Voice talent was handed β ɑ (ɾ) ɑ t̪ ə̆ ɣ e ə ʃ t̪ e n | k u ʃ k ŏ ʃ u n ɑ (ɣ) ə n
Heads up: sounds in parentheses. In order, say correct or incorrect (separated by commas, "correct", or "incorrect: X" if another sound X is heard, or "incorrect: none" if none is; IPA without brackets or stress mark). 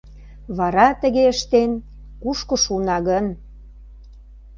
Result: correct, correct